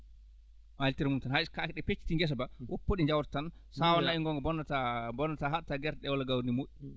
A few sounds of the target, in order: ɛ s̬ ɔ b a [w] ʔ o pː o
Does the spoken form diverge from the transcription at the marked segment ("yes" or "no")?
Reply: no